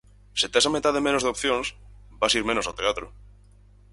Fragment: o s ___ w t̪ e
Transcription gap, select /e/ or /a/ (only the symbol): a